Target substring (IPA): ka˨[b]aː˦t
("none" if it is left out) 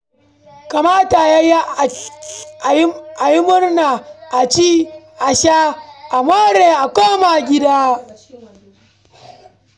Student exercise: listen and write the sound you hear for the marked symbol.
m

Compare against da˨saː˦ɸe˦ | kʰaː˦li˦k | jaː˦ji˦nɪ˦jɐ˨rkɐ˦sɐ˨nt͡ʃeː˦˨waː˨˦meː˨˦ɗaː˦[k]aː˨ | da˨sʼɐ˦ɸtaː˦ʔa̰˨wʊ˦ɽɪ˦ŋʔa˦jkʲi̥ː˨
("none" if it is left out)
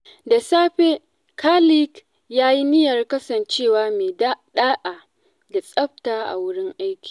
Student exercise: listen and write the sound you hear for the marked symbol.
ʔ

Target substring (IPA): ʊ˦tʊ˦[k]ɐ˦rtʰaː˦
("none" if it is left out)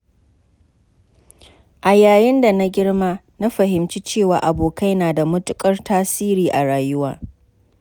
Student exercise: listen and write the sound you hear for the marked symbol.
kʼ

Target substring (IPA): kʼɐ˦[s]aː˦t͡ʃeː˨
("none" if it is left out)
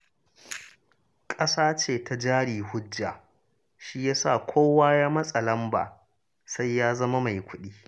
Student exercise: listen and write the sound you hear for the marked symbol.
s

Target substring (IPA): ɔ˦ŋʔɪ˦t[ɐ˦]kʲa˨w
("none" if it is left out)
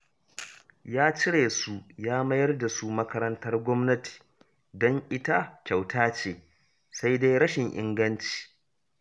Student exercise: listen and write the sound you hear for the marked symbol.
a˦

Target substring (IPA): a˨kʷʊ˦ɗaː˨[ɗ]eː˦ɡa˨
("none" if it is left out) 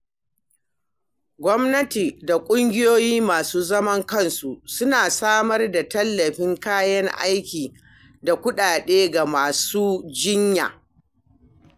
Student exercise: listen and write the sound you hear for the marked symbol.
ɗ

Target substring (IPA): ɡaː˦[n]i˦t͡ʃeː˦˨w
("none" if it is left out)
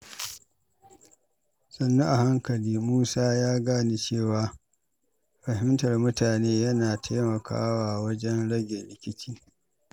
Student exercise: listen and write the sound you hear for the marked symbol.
n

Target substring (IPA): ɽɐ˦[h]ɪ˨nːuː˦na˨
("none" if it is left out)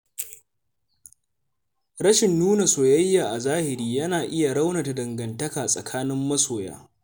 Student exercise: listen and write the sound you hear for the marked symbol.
ʃ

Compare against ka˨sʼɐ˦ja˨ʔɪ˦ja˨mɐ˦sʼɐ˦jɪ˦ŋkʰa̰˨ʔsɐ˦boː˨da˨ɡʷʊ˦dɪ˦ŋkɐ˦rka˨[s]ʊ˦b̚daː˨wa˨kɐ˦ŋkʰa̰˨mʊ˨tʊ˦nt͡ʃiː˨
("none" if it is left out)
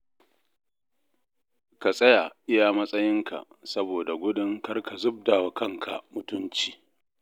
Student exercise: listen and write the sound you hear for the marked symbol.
z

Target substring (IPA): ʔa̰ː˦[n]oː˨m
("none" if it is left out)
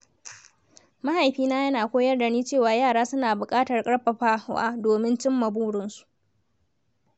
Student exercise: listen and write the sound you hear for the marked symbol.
d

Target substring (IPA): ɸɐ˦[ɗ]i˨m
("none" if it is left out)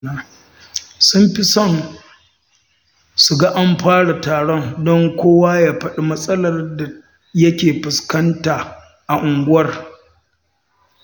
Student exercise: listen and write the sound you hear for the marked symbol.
ɗ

